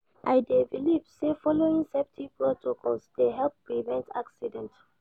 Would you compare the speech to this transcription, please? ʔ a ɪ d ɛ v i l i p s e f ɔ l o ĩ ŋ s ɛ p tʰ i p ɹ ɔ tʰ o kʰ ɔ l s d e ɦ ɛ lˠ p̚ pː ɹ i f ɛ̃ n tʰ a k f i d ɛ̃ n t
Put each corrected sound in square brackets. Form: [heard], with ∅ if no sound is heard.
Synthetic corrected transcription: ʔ a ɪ d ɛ v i l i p s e f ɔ l o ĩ ŋ s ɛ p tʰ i p ɹ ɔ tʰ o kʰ ɔ l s d e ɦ ɛ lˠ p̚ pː ɹ i [v] ɛ̃ n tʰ a k [s] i d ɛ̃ n t